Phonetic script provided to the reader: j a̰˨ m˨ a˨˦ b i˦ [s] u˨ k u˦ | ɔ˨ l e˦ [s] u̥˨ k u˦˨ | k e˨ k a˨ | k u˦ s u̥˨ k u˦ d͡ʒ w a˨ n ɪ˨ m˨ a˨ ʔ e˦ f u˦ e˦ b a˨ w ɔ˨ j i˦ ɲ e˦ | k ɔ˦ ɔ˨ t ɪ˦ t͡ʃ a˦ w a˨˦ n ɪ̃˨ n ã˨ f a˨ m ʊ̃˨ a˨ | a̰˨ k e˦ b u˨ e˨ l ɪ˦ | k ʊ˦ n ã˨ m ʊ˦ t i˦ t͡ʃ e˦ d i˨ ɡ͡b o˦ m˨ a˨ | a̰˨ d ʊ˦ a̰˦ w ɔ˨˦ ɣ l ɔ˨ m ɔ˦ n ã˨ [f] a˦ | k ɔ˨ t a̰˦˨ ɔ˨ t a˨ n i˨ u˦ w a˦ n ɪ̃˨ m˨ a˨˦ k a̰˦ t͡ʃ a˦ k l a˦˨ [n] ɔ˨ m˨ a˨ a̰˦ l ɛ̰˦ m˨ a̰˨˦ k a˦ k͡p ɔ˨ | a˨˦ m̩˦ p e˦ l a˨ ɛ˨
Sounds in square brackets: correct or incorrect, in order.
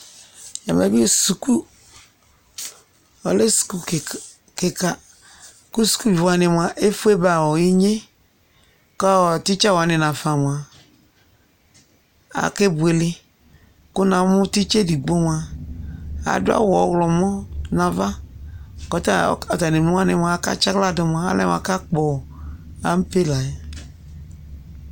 correct, correct, incorrect: v, incorrect: d

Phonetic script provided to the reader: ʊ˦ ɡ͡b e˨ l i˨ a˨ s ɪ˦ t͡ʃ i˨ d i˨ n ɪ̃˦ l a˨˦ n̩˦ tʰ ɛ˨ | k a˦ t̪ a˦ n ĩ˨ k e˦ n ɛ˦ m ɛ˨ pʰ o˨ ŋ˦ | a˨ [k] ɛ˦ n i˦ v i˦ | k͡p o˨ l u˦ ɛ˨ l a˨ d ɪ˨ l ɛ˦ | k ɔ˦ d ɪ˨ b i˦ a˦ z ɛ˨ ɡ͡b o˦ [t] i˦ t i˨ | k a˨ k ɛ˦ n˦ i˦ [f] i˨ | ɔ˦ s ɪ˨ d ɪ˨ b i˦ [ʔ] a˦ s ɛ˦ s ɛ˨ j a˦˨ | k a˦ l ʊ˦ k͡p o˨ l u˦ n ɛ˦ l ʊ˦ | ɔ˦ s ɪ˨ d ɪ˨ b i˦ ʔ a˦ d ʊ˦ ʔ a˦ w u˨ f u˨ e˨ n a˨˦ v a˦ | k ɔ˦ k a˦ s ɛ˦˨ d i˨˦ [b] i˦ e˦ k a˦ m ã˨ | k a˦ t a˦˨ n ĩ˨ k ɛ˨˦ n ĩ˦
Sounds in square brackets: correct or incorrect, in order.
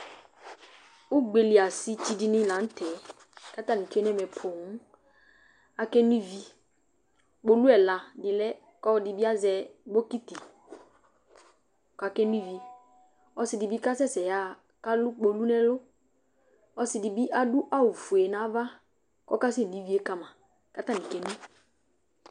correct, incorrect: k, incorrect: v, incorrect: k, incorrect: v

